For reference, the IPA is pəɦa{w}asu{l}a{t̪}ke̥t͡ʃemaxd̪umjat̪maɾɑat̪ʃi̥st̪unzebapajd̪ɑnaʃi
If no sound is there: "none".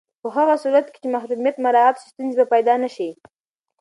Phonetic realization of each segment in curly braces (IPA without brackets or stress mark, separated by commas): ɣ, ɾ, t̪